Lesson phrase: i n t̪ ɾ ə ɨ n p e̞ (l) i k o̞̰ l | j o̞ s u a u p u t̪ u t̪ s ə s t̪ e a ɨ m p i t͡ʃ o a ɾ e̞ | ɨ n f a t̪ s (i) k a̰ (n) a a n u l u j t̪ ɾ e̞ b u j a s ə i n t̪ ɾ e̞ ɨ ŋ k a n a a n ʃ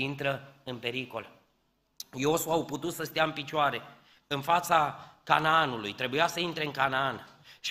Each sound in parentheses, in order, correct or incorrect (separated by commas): incorrect, incorrect, correct